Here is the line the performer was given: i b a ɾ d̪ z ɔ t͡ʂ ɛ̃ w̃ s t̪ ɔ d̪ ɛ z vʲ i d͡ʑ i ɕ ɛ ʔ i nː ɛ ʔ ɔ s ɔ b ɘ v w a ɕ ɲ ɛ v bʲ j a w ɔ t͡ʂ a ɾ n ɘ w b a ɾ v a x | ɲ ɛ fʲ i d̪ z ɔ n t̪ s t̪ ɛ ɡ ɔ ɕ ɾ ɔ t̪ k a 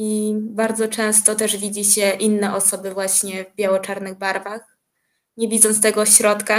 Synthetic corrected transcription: i b a ɾ d̪ z ɔ t͡ʂ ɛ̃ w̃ s t̪ ɔ t̪ ɛ ʐ vʲ i d͡ʑ i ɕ ɛ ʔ i nː ɛ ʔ ɔ s ɔ b ɘ v w a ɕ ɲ ɛ v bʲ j a w ɔ t͡ʂ a ɾ n ɘ ɣ b a ɾ v a x | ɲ ɛ vʲ i d̪ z ɔ n t̪ s t̪ ɛ ɡ ɔ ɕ ɾ ɔ t̪ k a